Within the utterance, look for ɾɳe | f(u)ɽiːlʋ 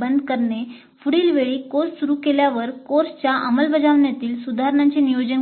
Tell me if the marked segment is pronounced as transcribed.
yes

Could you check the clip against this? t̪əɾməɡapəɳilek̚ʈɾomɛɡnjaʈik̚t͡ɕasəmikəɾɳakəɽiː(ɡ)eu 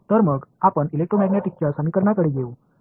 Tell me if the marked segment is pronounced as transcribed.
yes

